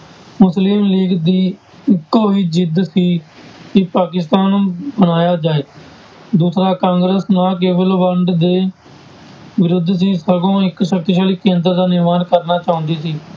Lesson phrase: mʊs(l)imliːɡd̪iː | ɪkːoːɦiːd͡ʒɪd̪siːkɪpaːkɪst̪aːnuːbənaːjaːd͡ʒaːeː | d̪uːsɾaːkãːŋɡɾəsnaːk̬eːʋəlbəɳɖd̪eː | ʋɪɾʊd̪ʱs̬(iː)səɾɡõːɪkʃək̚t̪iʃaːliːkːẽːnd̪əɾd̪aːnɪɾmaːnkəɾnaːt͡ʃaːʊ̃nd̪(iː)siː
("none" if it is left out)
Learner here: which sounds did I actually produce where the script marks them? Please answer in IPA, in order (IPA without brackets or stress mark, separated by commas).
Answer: l, iː, iː